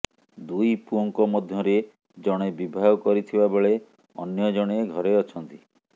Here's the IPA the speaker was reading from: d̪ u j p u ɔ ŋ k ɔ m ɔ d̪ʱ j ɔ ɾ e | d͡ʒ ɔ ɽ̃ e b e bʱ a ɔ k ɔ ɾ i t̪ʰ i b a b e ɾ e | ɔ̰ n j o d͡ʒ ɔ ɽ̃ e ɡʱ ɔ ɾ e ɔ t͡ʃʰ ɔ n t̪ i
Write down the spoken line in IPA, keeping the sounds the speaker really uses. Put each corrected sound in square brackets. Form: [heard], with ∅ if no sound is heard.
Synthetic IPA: d̪ u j p u ɔ ŋ k ɔ m ɔ d̪ʱ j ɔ ɾ e | d͡ʒ ɔ ɽ̃ e b [i] bʱ a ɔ k ɔ ɾ i t̪ʰ i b a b e [ɭ] e | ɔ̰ n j [ɔ] d͡ʒ ɔ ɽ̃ e ɡʱ ɔ ɾ e ɔ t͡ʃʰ ɔ n t̪ i